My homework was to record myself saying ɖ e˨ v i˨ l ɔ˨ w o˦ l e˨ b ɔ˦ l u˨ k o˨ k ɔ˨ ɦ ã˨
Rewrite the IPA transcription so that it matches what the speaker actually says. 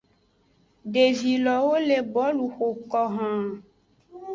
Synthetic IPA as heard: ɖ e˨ v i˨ l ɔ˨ w o˦ l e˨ b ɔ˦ l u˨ x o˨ k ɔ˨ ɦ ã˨